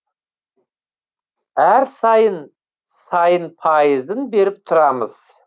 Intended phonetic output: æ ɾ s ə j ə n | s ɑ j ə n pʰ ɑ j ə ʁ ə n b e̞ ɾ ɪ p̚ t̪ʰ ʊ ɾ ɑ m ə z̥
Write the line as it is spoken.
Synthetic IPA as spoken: æ ɾ s ɑ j ə n | s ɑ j ə n pʰ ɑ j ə z ə n b e̞ ɾ ɪ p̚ t̪ʰ ʊ ɾ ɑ m ə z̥